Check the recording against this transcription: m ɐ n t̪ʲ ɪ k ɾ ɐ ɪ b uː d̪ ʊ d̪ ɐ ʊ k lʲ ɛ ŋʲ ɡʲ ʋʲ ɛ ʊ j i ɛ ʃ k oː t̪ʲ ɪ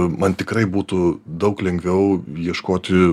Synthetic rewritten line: m ɐ n t̪ʲ ɪ k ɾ ɐ ɪ b uː t̪ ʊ d̪ ɐ ʊ k lʲ ɛ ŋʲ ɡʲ ʋʲ ɛ ʊ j i ɛ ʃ k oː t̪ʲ ɪ

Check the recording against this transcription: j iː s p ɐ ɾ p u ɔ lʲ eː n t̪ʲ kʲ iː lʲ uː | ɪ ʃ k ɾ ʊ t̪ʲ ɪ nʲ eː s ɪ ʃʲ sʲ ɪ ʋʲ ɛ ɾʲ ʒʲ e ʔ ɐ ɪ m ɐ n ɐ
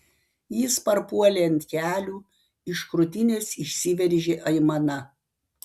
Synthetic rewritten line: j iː s p ɐ ɾ p u ɔ lʲ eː n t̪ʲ kʲ æː lʲ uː | ɪ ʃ k ɾ ʊ t̪ʲ ɪ nʲ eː s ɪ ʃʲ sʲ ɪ ʋʲ ɛ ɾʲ ʒʲ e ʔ ɐ ɪ m ɐ n ɐ

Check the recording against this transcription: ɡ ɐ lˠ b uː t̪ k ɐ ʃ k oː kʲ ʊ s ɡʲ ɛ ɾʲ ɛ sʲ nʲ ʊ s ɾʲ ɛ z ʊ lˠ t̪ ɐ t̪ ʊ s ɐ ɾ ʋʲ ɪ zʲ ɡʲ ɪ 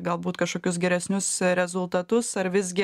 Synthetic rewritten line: ɡ ɐ lˠ b uː t̪ k ɐ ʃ k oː kʲ ʊ s ɡʲ ɛ ɾʲ ɛ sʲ nʲ ʊ s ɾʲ ɛ z ʊ lˠ t̪ ɐ t̪ ʊ s ɐ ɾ ʋʲ ɪ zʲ ɡʲ ɪ

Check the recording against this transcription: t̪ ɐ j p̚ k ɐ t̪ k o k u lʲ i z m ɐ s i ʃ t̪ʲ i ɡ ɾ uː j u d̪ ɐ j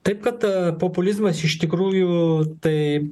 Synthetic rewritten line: t̪ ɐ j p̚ k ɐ t̪ p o p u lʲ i z m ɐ s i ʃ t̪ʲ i k ɾ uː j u t̪ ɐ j

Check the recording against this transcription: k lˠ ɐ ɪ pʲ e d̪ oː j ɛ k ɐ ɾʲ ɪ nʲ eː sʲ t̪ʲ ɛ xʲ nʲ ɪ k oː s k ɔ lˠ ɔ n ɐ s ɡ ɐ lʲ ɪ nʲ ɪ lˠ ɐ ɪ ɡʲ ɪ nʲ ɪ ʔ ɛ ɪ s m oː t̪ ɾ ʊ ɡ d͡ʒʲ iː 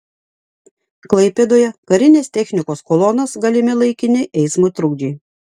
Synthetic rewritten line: k lˠ ɐ ɪ pʲ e d̪ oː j ɛ k ɐ ɾʲ ɪ nʲ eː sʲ t̪ʲ ɛ xʲ nʲ ɪ k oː s k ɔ lˠ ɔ n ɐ s ɡ ɐ lʲ ɪ mʲ ɪ lˠ ɐ ɪ kʲ ɪ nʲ ɪ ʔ ɛ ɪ s m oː t̪ ɾ ʊ ɡ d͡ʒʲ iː

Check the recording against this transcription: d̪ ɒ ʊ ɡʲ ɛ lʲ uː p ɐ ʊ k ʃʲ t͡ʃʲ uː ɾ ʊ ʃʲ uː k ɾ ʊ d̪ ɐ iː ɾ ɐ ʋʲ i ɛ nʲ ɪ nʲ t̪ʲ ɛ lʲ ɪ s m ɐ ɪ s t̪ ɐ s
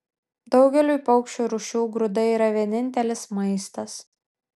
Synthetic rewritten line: d̪ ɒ ʊ ɡʲ ɛ lʲ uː p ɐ ʊ k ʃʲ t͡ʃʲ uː ɾ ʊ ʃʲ uː ɡ ɾ ʊ d̪ ɐ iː ɾ ɐ ʋʲ i ɛ nʲ ɪ nʲ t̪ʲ ɛ lʲ ɪ s m ɐ ɪ s t̪ ɐ s

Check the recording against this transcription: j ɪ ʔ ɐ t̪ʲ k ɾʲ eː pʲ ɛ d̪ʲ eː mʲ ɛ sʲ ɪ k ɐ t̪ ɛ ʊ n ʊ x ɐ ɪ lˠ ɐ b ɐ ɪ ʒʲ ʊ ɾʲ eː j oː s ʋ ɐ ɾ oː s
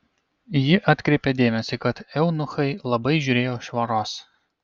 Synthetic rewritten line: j ɪ ʔ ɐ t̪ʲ k ɾʲ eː pʲ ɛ d̪ʲ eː mʲ ɛ sʲ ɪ k ɐ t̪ ɛ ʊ n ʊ x ɐ ɪ lˠ ɐ b ɐ ɪ ʒʲ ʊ ɾʲ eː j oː ʃ ʋ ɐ ɾ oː s

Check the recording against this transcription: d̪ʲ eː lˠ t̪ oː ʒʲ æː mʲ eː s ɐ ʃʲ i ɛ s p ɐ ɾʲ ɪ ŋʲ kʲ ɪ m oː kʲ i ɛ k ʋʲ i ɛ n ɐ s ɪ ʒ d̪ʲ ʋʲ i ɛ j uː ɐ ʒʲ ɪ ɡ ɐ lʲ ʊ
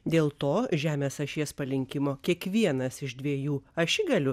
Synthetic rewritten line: d̪ʲ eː lˠ t̪ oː ʒʲ æː mʲ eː s ɐ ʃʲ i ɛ s p ɐ lʲ ɪ ŋʲ kʲ ɪ m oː kʲ i ɛ k ʋʲ i ɛ n ɐ s ɪ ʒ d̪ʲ ʋʲ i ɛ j uː ɐ ʃʲ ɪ ɡ ɐ lʲ ʊ

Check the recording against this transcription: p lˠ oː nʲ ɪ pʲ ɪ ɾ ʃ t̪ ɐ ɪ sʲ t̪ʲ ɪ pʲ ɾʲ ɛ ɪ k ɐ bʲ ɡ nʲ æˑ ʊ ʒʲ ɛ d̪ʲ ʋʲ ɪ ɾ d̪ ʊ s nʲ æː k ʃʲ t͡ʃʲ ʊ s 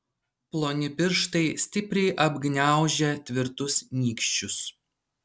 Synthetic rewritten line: p lˠ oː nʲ ɪ pʲ ɪ ɾ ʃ t̪ ɐ ɪ sʲ t̪ʲ ɪ pʲ ɾʲ ɛ ɪ ʔ ɐ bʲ ɡ nʲ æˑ ʊ ʒʲ ɛ t̪ʲ ʋʲ ɪ ɾ t̪ ʊ s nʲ iː k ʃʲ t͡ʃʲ ʊ s

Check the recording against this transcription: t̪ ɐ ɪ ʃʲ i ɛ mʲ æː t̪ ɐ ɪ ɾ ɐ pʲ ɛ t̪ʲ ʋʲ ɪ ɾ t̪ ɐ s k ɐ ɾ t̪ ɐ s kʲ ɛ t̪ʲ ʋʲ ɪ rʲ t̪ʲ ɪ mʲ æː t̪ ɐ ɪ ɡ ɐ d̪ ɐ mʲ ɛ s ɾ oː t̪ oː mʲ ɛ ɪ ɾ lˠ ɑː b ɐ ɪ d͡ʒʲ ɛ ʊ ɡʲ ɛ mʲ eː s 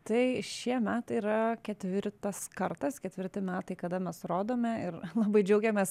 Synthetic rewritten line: t̪ ɐ ɪ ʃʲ i ɛ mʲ æː t̪ ɐ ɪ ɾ ɐ kʲ ɛ t̪ʲ ʋʲ ɪ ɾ t̪ ɐ s k ɐ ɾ t̪ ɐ s kʲ ɛ t̪ʲ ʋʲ ɪ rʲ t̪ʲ ɪ mʲ æː t̪ ɐ ɪ k ɐ d̪ ɐ mʲ ɛ s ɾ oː d̪ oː mʲ ɛ ɪ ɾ lˠ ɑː b ɐ ɪ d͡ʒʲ ɛ ʊ ɡʲ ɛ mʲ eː s

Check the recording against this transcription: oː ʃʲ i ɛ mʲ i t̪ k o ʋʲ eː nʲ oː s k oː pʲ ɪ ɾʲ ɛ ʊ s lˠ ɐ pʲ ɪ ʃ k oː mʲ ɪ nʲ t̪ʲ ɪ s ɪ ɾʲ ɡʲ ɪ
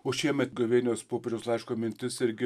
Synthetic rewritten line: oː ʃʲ i ɛ mʲ ɛ t̪ ɡ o ʋʲ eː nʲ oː s p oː pʲ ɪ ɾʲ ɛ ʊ s lˠ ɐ ɪ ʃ k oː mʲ ɪ nʲ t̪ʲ ɪ s ɪ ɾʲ ɡʲ ɪ

